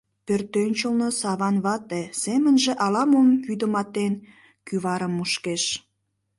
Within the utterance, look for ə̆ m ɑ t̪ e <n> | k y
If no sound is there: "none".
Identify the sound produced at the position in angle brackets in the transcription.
n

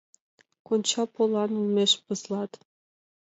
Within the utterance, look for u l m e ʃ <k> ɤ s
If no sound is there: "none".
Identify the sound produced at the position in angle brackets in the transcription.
p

